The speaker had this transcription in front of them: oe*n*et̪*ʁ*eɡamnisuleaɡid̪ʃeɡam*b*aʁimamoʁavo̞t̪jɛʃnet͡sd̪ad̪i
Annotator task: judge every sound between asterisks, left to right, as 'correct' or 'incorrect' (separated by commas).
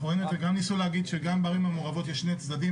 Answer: correct, incorrect, correct